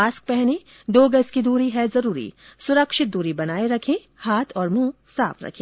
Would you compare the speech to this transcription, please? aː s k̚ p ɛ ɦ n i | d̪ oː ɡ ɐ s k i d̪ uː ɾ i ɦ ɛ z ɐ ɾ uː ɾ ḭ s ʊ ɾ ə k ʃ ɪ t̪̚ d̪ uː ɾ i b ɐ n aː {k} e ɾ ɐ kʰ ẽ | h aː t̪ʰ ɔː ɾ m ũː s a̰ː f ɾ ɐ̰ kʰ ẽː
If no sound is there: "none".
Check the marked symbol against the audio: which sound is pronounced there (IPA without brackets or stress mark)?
none